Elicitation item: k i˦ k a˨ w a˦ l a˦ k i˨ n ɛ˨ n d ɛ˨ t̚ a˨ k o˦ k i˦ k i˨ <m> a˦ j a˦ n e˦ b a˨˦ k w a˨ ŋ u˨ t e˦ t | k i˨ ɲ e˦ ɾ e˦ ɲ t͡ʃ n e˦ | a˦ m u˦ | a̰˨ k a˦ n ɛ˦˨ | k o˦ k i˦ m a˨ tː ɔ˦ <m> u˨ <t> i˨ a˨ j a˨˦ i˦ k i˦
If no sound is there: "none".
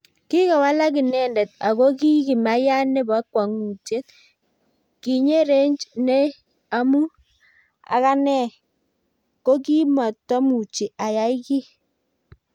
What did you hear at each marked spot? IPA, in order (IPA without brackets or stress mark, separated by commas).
m, m, t͡ʃ